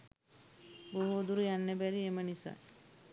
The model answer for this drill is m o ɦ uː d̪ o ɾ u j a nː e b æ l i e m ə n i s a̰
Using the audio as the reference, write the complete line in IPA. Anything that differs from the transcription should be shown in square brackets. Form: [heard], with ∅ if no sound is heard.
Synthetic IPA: [b] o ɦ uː d̪ [u] ɾ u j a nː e b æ [ɾ] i e m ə n i s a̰